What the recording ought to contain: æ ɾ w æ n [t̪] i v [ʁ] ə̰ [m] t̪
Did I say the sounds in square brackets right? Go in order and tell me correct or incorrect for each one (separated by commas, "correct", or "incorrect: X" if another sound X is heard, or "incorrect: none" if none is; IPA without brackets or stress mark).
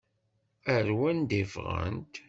incorrect: d̪, correct, incorrect: n